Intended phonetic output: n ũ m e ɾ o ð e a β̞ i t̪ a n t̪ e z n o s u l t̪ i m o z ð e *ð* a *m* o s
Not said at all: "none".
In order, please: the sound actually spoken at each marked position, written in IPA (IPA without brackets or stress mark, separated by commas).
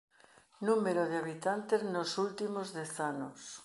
θ, n